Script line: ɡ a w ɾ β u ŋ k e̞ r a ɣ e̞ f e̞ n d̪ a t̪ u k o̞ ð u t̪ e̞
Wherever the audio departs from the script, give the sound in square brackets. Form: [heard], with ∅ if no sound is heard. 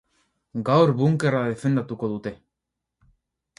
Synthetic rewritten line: ɡ a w ɾ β u ŋ k e̞ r a [ð] e̞ f e̞ n d̪ a t̪ u k o̞ ð u t̪ e̞

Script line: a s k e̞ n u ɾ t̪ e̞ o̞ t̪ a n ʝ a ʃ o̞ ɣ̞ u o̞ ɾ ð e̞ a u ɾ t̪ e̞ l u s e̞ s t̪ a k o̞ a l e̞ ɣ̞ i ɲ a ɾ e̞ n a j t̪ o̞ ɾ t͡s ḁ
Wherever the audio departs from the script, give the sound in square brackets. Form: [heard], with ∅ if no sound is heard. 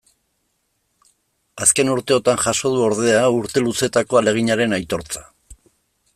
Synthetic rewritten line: a s k e̞ n u ɾ t̪ e̞ o̞ t̪ a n ʝ a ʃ o̞ [ð̞] u o̞ ɾ ð e̞ a u ɾ t̪ e̞ l u s e̞ [∅] t̪ a k o̞ a l e̞ ɣ̞ i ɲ a ɾ e̞ n a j t̪ o̞ ɾ t͡s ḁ

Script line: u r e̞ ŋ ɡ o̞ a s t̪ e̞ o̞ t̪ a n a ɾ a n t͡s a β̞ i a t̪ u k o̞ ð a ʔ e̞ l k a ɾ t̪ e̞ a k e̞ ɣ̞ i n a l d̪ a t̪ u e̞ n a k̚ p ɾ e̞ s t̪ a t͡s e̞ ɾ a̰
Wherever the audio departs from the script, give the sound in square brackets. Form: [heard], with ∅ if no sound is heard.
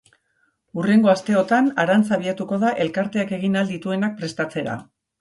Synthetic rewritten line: u r e̞ ŋ ɡ o̞ a s t̪ e̞ o̞ t̪ a n a ɾ a n t͡s a β̞ i a t̪ u k o̞ ð a ʔ e̞ l k a ɾ t̪ e̞ a k e̞ ɣ̞ i n a l d̪ [i] t̪ u e̞ n a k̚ p ɾ e̞ s t̪ a t͡s e̞ ɾ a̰

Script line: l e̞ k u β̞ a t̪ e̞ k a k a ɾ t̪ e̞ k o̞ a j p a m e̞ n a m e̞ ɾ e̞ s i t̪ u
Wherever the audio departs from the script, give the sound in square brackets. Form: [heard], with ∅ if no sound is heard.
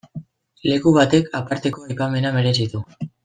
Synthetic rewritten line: l e̞ k u β̞ a t̪ e̞ k a [p] a ɾ t̪ e̞ k o̞ a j p a m e̞ n a m e̞ ɾ e̞ s i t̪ u

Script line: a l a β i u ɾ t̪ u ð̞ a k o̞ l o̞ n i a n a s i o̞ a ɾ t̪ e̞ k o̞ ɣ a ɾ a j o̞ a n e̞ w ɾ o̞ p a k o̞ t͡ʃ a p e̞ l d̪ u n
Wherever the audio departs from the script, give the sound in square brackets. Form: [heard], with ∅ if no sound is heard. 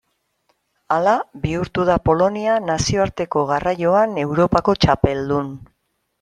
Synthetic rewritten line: a l a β i u ɾ t̪ u ð̞ a [p] o̞ l o̞ n i a n a s i o̞ a ɾ t̪ e̞ k o̞ ɣ a [r] a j o̞ a n e̞ w ɾ o̞ p a k o̞ t͡ʃ a p e̞ l d̪ u n

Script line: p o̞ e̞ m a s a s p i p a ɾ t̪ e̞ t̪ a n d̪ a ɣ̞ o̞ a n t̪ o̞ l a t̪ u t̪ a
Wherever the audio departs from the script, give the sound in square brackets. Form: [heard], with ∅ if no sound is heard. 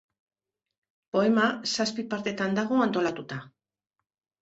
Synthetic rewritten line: p o̞ e̞ m a s a s p i p a ɾ t̪ e̞ t̪ a n d̪ a ɣ̞ o̞ a n t̪ o̞ l a t̪ u t̪ a

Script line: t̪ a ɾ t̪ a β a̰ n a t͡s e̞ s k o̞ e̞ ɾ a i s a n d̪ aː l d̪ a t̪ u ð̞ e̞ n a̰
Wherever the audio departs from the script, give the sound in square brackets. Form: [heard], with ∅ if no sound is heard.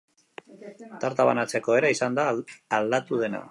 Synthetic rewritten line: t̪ a ɾ t̪ a β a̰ n a t͡s e̞ [∅] k o̞ e̞ ɾ a i s a n d̪ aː l d̪ a t̪ u ð̞ e̞ n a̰

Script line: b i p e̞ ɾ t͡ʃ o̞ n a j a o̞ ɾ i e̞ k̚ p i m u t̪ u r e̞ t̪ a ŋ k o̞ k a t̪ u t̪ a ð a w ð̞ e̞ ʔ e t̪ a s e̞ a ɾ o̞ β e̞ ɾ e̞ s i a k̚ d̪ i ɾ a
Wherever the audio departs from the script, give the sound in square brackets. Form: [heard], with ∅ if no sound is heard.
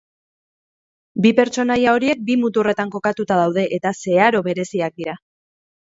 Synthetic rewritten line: b i p e̞ ɾ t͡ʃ o̞ n a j a o̞ ɾ i e̞ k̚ [b] i m u t̪ u r e̞ t̪ a ŋ k o̞ k a t̪ u t̪ a ð a w ð̞ e̞ ʔ e t̪ a s e̞ a ɾ o̞ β e̞ ɾ e̞ s i a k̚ d̪ i ɾ a

